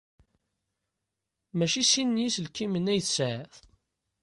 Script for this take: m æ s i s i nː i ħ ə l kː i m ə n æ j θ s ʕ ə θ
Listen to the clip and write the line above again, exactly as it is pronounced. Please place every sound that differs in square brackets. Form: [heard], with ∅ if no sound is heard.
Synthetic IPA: m æ [ʃ] i s i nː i [s] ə l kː i m ə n æ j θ s ʕ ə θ